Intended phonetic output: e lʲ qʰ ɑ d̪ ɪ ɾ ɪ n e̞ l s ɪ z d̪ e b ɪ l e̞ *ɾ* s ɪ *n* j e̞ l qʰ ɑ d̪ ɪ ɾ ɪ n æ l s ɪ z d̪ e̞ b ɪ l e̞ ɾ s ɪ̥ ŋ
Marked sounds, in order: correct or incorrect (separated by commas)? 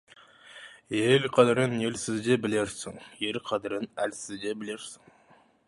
correct, incorrect